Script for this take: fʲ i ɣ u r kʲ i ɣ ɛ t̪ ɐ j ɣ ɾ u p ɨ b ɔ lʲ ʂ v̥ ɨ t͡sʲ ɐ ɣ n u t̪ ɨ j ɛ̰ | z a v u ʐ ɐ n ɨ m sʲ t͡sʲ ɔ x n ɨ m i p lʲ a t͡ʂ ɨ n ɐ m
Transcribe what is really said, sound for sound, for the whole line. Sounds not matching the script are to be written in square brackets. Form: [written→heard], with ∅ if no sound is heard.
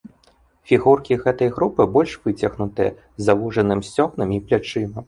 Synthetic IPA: fʲ i ɣ u r kʲ i ɣ ɛ t̪ ɐ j ɣ ɾ u p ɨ b ɔ lʲ ʂ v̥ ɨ t͡sʲ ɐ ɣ n u t̪ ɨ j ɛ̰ | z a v u ʐ ɐ n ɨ m sʲ t͡sʲ ɔ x n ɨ m i p lʲ a t͡ʂ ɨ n ɐ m